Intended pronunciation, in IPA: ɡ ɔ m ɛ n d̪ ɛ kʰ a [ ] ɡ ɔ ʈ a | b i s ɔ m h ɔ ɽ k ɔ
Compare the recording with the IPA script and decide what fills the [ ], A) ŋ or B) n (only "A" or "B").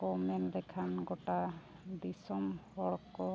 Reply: B